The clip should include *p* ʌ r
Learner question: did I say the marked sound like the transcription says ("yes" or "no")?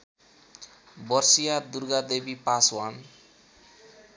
no